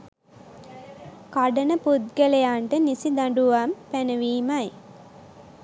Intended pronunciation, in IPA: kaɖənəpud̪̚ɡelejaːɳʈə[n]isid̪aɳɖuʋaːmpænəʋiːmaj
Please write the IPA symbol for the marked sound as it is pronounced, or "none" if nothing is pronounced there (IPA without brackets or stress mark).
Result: n